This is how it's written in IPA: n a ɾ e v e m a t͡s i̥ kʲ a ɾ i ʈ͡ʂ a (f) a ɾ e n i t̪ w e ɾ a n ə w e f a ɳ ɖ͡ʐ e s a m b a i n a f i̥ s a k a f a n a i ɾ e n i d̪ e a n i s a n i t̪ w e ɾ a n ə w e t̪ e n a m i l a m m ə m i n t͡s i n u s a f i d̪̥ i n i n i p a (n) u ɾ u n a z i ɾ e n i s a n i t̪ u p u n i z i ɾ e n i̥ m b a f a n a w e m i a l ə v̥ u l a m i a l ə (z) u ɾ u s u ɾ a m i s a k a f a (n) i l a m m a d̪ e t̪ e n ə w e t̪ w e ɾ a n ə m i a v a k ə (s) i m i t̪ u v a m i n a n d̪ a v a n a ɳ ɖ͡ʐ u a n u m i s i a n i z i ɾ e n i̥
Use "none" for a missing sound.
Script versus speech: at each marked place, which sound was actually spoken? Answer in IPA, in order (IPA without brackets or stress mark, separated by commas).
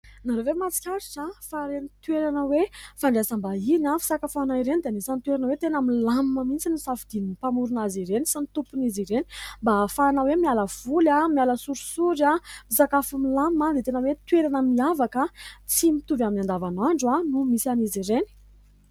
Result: f, m, s, m, t͡s